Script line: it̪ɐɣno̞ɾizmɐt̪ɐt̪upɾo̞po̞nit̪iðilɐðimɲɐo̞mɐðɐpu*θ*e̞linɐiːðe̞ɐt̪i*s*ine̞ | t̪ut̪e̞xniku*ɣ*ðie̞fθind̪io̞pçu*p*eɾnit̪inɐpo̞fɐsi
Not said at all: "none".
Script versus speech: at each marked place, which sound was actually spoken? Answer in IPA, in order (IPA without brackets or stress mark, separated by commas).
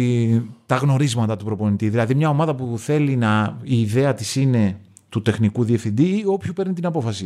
θ, s, none, p